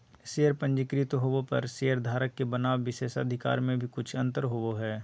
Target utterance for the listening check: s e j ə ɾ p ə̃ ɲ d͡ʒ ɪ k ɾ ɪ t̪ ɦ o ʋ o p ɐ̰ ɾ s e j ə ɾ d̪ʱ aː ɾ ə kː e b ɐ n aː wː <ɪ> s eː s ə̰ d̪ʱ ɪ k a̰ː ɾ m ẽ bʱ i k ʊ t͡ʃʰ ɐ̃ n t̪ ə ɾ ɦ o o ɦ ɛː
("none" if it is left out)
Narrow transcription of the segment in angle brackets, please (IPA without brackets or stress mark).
ɪ